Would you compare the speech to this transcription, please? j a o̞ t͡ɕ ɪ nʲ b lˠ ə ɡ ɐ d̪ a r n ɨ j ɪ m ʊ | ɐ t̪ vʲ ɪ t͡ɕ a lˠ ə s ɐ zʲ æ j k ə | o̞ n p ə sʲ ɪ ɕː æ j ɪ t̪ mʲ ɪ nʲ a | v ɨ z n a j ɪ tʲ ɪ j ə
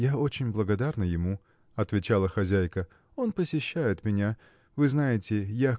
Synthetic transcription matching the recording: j a o̞ t͡ɕ ɪ nʲ b lˠ ə ɡ ɐ d̪ a r n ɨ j ɪ m u | ɐ t̪ vʲ ɪ t͡ɕ a lˠ ə x ɐ zʲ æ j k ə | o̞ n p ə sʲ ɪ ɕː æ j ɪ t̪ mʲ ɪ nʲ a | v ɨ z n a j ɪ tʲ ɪ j a